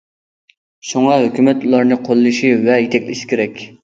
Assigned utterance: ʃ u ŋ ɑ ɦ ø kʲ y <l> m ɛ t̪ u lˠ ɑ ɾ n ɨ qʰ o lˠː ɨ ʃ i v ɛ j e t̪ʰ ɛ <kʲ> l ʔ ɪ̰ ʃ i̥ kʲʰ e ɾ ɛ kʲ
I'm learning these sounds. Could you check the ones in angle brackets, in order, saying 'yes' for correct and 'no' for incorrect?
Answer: no, yes

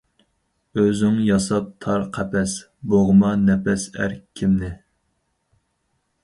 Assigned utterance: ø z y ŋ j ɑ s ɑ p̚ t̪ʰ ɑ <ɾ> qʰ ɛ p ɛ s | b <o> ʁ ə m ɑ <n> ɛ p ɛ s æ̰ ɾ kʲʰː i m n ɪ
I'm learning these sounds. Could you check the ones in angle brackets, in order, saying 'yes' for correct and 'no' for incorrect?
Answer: yes, yes, yes

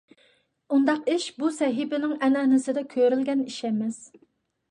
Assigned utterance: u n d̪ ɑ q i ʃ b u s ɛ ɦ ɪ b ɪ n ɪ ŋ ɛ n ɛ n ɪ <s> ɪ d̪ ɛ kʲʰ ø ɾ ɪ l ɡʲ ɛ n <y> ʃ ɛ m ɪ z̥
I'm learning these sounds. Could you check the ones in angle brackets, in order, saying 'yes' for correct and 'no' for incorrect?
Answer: yes, no

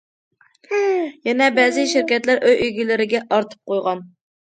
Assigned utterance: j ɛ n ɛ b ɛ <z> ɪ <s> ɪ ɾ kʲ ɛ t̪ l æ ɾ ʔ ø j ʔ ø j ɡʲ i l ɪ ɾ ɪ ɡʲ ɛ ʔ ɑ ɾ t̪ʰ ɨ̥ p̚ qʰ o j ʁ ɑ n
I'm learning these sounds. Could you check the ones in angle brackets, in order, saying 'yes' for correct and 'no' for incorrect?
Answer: yes, no

